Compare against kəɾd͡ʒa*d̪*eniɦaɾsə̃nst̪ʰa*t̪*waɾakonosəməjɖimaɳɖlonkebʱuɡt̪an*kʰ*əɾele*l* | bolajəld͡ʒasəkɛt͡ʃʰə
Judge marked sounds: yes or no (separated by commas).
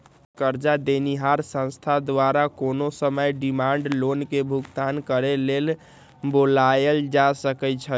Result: yes, no, no, yes